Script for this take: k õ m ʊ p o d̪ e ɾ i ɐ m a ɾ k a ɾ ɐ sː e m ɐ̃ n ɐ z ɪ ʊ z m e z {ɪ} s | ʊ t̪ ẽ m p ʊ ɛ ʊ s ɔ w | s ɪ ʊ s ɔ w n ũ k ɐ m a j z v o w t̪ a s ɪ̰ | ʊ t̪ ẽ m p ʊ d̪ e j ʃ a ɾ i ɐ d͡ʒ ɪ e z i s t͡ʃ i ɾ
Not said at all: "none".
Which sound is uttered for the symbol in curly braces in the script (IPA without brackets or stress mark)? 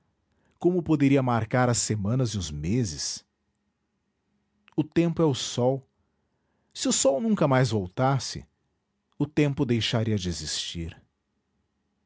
ɪ